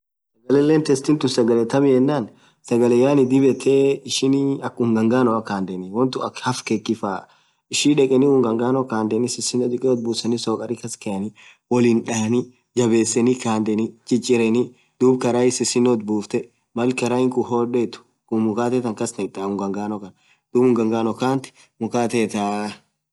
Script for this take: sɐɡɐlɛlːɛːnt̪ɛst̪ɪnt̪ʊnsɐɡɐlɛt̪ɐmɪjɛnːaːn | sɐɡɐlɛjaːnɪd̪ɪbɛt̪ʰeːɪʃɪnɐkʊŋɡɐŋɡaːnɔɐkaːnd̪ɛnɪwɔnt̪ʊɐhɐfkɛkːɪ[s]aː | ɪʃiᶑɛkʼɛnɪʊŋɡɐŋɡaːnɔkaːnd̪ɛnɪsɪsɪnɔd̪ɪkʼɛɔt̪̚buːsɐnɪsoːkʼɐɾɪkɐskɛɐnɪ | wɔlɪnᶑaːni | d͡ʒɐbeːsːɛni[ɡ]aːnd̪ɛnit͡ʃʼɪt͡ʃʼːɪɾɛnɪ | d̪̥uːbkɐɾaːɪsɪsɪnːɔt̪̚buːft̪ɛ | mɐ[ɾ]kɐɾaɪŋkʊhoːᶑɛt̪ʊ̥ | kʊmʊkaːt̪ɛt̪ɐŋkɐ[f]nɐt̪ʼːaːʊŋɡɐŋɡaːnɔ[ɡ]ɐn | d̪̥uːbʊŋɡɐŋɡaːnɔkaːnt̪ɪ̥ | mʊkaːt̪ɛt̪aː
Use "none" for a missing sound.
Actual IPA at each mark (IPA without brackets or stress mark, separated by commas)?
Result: f, k, l, s, k